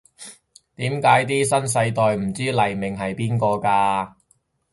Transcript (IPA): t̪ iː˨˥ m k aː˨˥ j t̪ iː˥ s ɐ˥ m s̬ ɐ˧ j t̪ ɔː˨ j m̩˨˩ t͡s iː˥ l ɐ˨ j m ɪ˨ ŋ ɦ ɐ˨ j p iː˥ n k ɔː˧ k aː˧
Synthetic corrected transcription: t̪ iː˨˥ m k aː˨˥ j t̪ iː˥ s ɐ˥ n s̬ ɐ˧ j t̪ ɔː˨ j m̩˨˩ t͡s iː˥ l ɐ˨ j m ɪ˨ ŋ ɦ ɐ˨ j p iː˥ n k ɔː˧ k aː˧

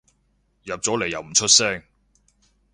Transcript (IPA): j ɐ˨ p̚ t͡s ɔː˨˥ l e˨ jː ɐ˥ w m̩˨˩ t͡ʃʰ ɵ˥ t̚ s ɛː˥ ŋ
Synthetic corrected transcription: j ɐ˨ p̚ t͡s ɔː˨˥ l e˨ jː ɐ˨ w m̩˨˩ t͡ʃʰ ɵ˥ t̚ s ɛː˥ ŋ

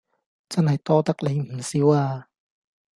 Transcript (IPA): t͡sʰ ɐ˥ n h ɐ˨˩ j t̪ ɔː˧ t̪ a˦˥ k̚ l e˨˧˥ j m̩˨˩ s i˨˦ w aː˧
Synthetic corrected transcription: t͡s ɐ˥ n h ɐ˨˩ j t̪ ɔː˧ t̪ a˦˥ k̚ l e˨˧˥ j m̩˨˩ s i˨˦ w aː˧

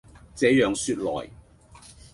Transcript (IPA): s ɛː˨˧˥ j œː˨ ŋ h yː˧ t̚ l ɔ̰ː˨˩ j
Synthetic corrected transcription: t͡s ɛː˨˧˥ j œː˨ ŋ s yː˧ t̚ l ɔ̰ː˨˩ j

